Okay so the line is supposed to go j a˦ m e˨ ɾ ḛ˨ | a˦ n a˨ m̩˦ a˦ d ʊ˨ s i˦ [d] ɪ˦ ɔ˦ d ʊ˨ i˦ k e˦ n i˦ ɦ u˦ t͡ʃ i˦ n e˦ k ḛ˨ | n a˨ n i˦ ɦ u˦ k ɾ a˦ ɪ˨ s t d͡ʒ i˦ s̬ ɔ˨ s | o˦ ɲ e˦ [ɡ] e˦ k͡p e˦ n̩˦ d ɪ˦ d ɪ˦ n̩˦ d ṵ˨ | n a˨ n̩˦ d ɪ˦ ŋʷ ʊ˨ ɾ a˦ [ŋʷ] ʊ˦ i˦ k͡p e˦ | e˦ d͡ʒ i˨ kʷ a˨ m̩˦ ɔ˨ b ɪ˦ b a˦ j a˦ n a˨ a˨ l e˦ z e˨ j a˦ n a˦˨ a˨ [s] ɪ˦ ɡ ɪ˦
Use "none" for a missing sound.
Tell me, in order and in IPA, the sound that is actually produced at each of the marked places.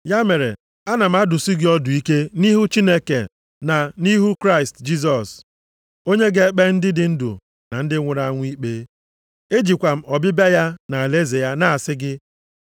ɡ, ɡ, ŋʷ, s

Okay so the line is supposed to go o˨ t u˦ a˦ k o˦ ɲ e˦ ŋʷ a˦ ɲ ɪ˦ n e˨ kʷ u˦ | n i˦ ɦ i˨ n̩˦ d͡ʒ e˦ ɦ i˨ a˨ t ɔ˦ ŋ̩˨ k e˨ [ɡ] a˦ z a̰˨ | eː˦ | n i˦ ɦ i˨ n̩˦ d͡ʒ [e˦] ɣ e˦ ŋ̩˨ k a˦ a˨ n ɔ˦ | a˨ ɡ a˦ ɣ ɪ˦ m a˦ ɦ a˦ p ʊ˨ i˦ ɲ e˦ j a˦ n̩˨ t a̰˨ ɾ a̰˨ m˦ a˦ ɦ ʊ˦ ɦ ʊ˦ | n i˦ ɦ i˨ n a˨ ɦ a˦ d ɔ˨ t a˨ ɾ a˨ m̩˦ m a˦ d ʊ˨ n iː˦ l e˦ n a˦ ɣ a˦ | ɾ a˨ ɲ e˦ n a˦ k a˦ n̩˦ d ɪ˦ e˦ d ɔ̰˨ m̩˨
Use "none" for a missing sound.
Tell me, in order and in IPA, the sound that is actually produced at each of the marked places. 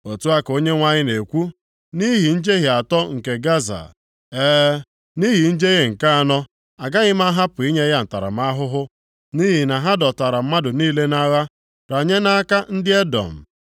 ɡ, e˦

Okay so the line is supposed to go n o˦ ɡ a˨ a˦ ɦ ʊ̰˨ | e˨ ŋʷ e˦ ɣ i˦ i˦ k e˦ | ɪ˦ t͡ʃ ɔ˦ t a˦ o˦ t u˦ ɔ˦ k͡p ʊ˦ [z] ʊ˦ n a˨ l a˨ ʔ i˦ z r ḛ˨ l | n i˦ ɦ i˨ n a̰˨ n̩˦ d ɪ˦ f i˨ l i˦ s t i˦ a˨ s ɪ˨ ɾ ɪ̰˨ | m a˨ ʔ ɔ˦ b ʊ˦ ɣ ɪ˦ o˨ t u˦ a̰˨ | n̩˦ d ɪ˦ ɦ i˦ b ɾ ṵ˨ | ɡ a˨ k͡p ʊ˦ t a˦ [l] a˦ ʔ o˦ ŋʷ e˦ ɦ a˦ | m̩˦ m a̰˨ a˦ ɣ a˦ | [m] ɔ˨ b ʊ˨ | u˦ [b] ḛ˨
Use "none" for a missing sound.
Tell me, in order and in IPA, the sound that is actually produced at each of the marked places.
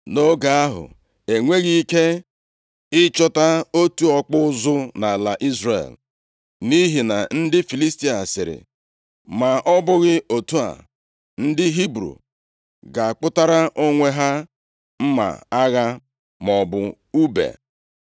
z, ɾ, m, b

